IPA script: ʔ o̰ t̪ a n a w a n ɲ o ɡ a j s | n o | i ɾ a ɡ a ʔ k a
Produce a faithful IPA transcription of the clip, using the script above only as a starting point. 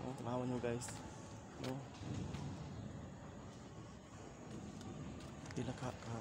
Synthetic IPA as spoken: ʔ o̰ t̪ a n a w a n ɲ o ɡ a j s | n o | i l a k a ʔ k a

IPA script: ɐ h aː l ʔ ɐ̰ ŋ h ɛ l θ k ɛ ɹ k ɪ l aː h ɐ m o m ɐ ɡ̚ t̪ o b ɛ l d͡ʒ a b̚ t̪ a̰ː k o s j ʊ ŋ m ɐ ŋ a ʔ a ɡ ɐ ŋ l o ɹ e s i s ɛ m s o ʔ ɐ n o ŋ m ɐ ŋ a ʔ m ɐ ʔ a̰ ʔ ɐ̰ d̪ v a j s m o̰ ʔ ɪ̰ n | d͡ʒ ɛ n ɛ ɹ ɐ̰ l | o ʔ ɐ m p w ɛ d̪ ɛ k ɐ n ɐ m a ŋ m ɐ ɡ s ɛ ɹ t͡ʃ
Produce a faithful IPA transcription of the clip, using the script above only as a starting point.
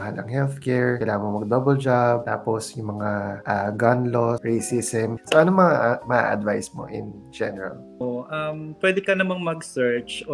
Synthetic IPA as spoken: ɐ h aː l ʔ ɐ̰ ŋ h ɛ l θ k ɛ ɹ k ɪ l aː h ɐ m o m ɐ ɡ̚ d̪ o b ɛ l d͡ʒ a b̚ t̪ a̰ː p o s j ʊ ŋ m ɐ ŋ a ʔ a ɡ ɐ n l o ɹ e s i s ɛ m s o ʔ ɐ n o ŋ m ɐ ŋ a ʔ m ɐ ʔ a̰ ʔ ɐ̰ d̪ v a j s m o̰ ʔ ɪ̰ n | d͡ʒ ɛ n ɛ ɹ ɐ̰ l | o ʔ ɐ m p w ɛ d̪ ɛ k ɐ n ɐ m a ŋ m ɐ ɡ s ɛ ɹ t͡ʃ

